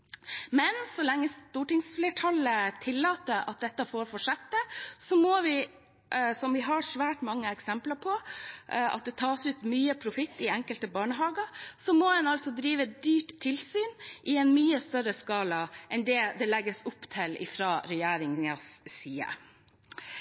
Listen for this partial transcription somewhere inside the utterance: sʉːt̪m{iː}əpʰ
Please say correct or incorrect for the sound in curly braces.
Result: incorrect: yː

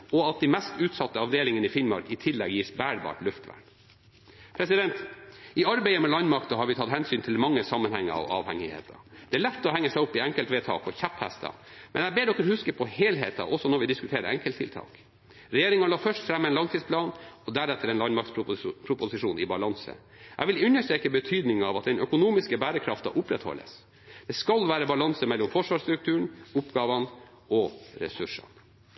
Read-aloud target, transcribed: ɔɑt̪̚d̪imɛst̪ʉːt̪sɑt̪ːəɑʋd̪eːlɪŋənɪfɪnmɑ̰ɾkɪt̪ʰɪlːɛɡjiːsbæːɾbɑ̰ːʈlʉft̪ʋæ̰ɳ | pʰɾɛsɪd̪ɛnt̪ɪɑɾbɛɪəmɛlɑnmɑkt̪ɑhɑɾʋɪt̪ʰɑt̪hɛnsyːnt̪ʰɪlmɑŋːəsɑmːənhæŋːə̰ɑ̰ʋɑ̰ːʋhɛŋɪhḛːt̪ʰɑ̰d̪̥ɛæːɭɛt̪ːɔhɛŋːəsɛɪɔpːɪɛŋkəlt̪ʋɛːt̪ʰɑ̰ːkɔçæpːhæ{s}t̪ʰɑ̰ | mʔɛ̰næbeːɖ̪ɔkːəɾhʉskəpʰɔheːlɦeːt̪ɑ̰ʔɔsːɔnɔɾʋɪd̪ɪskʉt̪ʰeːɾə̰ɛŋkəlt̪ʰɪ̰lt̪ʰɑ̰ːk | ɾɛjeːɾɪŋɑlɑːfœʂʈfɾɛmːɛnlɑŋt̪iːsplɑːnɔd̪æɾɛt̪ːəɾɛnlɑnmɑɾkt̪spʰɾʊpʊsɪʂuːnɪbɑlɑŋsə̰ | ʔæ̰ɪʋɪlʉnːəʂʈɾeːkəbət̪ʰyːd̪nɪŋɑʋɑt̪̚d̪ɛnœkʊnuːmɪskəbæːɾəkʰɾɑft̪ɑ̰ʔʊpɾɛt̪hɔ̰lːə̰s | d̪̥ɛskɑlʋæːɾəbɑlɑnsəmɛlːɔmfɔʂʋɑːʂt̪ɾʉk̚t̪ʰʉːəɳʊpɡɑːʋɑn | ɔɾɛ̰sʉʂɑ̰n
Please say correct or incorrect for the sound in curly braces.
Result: correct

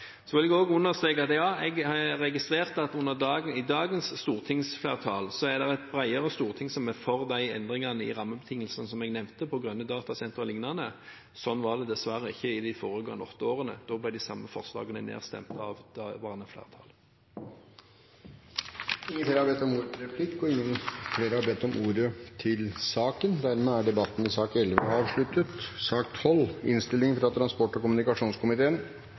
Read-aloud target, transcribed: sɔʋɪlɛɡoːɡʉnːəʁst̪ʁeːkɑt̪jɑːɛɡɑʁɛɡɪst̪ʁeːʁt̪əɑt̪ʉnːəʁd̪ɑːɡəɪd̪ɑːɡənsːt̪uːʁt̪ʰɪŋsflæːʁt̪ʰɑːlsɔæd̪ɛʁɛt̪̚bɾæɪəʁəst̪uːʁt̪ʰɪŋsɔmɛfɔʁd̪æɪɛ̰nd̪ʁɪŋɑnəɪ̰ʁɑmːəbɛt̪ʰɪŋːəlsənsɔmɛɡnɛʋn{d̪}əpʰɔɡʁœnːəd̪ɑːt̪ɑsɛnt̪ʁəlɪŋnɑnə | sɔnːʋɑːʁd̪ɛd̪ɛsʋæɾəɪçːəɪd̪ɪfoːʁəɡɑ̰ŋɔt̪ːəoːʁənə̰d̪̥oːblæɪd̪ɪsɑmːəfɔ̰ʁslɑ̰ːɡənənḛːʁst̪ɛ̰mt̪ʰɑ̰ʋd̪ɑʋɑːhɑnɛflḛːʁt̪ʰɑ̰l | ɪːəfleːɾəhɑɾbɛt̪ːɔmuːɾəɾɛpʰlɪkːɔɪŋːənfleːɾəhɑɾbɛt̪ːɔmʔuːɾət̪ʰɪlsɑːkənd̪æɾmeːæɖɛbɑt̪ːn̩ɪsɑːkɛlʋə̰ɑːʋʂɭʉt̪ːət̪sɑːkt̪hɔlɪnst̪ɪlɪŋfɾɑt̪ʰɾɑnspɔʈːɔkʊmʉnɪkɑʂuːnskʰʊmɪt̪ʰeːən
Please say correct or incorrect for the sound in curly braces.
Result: incorrect: t̪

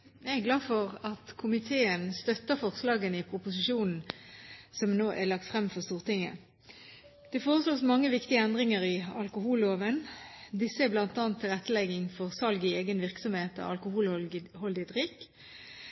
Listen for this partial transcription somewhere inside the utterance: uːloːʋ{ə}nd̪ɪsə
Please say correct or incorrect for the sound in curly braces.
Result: correct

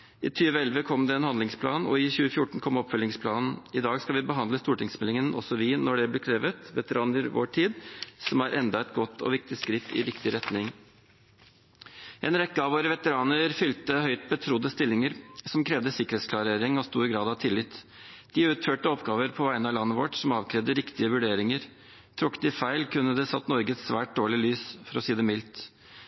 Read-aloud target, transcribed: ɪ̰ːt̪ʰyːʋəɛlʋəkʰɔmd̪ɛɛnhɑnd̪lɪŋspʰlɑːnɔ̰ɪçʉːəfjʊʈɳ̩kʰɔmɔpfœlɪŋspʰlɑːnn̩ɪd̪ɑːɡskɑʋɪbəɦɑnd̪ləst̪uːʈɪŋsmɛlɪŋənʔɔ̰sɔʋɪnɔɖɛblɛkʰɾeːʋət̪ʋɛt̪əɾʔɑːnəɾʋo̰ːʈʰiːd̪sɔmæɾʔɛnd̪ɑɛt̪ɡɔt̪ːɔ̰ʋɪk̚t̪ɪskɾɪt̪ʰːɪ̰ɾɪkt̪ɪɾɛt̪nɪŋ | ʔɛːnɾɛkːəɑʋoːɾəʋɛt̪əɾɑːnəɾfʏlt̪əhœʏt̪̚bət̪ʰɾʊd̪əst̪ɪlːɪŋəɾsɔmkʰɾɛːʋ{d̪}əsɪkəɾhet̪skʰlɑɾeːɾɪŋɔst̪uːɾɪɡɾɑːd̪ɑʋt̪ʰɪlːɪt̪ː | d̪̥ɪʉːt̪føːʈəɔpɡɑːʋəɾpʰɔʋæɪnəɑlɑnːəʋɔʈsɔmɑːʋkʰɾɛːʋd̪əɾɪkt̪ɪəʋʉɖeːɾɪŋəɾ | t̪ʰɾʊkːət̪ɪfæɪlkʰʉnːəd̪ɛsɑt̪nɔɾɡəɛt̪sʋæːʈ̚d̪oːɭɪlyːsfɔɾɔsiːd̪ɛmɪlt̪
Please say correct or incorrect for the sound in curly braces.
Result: correct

